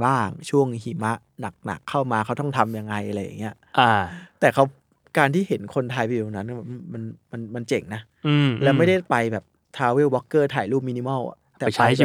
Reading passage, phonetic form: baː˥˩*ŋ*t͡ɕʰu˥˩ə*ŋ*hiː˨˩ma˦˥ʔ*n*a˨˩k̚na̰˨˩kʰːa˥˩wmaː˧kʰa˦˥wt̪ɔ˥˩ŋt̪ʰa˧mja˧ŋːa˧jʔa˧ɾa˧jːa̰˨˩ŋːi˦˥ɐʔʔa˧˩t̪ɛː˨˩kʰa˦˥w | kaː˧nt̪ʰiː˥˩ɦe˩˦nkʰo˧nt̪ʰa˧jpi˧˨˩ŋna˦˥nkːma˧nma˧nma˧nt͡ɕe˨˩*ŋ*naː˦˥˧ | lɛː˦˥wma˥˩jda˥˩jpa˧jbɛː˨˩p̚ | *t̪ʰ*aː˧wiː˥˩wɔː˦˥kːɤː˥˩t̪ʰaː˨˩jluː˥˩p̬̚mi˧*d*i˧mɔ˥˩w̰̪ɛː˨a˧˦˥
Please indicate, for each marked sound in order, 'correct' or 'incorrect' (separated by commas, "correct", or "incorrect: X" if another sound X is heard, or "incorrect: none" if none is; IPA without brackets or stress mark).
correct, correct, correct, correct, correct, incorrect: n